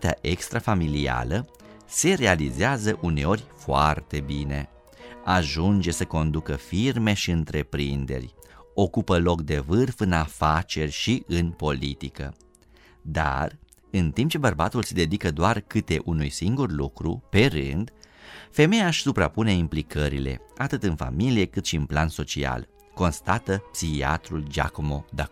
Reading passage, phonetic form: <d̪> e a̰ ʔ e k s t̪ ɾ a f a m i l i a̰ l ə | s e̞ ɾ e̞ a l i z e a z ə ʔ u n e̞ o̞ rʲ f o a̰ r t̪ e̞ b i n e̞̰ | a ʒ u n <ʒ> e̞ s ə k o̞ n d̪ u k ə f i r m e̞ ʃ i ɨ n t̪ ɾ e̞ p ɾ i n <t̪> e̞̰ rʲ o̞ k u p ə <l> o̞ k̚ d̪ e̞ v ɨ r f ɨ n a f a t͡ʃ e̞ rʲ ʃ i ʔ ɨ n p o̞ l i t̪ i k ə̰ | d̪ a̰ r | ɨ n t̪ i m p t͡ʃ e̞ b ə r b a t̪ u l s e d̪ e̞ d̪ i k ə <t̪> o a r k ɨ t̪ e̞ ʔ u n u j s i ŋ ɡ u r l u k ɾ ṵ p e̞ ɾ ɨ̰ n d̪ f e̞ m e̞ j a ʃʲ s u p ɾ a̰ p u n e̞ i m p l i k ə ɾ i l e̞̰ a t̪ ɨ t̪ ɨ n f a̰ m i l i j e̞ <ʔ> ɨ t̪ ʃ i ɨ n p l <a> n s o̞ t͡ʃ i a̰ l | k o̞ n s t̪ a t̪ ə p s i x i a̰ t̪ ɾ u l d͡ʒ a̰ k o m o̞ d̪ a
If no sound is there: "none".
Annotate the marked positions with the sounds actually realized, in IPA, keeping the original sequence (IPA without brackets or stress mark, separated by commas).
t̪, d͡ʒ, d̪, l, d̪, k, a